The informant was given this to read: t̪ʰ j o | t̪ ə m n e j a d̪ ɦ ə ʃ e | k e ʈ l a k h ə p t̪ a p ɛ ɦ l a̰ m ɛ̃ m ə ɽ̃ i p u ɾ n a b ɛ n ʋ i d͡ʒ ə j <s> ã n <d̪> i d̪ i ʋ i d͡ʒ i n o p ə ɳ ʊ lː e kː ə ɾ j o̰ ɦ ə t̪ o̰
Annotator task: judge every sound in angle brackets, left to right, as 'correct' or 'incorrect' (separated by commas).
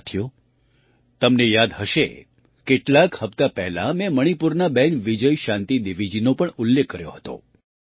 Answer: incorrect, incorrect